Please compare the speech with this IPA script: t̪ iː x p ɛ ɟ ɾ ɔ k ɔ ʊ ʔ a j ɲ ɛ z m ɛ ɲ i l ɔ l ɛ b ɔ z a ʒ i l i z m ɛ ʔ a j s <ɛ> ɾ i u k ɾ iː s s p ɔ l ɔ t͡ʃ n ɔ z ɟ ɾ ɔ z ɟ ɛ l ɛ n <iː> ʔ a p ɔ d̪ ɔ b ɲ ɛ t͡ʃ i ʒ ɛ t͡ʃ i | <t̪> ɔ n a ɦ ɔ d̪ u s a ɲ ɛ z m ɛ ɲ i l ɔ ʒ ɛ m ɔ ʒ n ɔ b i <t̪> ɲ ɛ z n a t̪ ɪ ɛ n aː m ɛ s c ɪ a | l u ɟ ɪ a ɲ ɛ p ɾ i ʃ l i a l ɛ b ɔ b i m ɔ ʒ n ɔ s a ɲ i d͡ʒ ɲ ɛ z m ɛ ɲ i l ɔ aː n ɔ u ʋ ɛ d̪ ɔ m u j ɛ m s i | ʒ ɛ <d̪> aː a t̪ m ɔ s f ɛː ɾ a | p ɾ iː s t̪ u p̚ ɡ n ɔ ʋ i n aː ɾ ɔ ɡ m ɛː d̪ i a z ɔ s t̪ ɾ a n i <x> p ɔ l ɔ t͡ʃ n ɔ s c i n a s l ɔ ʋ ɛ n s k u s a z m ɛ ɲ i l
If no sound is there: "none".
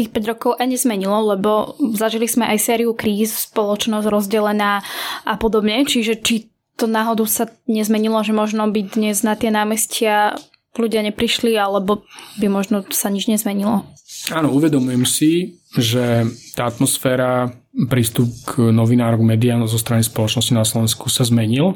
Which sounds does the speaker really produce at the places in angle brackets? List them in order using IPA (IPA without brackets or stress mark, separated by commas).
ɛː, aː, t̪, d̪, t̪, s